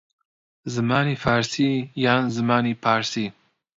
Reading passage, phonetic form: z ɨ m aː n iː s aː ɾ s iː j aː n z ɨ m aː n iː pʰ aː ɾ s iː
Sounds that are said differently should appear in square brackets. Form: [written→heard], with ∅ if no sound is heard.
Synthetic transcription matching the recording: z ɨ m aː n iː [s→f] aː ɾ s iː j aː n z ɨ m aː n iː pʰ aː ɾ s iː